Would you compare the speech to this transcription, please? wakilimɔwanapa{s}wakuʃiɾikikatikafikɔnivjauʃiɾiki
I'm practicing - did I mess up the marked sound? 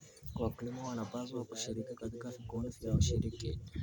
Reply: yes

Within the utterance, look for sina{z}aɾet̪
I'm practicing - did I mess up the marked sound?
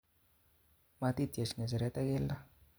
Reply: no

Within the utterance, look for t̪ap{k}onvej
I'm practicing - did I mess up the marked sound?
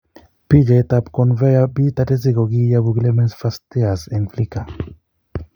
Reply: no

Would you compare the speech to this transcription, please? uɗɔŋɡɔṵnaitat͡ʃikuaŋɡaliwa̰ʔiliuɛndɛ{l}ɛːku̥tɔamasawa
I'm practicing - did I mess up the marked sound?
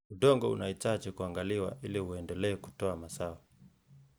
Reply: no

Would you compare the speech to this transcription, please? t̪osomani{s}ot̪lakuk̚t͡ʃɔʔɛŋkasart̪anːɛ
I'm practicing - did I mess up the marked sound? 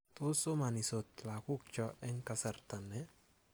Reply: no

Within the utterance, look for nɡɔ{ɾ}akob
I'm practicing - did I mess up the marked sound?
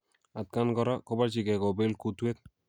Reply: no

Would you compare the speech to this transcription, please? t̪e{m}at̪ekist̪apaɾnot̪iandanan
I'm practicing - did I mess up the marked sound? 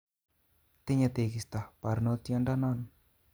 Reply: yes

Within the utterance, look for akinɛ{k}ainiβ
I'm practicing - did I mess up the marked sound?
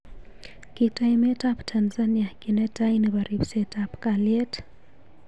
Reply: yes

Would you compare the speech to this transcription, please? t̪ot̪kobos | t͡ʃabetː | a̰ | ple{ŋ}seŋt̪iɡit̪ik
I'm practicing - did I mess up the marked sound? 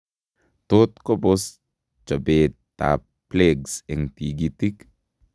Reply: yes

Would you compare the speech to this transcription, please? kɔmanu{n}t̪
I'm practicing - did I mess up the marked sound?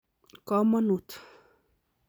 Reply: yes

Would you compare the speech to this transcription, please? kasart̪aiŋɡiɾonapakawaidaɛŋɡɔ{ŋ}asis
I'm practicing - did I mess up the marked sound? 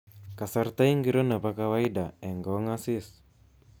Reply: no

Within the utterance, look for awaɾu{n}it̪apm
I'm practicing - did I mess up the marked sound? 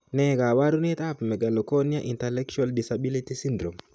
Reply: no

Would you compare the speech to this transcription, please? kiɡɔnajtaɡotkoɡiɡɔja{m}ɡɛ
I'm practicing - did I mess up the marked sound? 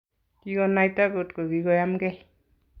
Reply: no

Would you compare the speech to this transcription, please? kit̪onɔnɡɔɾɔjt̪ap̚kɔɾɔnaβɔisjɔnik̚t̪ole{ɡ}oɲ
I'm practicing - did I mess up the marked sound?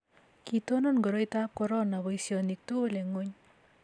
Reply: yes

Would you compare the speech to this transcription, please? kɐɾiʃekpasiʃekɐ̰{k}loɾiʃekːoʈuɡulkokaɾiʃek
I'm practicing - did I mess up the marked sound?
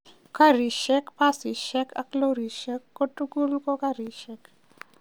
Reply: no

